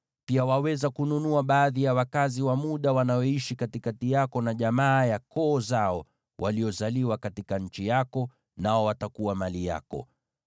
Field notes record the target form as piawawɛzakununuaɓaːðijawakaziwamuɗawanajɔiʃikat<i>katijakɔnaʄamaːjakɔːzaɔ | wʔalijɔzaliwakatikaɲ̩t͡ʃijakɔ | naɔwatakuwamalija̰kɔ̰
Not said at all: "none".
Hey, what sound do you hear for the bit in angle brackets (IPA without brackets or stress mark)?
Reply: i